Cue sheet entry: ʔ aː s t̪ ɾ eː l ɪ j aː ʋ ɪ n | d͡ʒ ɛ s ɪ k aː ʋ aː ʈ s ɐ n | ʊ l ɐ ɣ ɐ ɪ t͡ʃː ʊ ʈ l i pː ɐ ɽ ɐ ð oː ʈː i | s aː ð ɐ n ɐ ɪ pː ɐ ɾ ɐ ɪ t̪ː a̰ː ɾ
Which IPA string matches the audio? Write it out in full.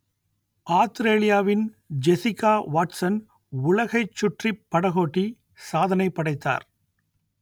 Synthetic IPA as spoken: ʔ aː s t̪ ɾ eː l ɪ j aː ʋ ɪ n | d͡ʒ ɛ s ɪ k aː ʋ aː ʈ s ɐ n | ʊ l ɐ ɣ ɐ ɪ t͡ʃː ʊ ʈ r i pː ɐ ɽ ɐ ɣ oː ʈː i | s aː ð ɐ n ɐ ɪ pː ɐ ɽ ɐ ɪ t̪ː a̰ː ɾ